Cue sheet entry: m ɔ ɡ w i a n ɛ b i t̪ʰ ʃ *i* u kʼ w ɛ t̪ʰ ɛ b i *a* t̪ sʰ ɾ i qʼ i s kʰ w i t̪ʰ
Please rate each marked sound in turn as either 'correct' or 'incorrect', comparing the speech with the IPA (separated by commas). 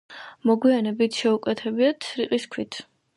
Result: incorrect, correct